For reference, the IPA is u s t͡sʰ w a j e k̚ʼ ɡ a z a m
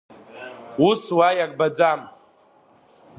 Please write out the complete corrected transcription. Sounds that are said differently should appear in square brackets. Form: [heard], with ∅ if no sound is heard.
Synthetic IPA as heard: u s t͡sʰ w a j [a] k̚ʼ [b] a [d͡z] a m